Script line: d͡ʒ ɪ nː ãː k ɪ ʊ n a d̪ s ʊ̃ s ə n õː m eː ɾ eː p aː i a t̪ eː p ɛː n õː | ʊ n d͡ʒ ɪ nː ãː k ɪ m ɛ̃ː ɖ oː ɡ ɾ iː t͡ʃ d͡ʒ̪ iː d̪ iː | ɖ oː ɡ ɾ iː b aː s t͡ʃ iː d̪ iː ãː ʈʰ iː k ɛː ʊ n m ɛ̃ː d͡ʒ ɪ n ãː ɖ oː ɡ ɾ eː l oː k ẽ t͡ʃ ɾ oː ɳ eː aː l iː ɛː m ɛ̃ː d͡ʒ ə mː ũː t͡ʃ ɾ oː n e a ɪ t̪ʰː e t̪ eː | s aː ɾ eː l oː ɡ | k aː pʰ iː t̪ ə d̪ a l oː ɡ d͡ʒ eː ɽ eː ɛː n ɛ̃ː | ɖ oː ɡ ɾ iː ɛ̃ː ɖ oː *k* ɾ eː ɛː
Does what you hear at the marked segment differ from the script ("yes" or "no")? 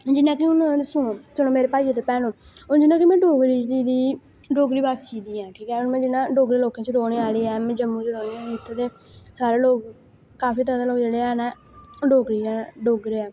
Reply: yes